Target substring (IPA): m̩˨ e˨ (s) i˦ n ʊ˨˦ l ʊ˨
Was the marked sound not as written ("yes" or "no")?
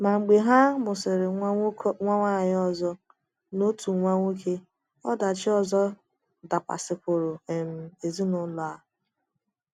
yes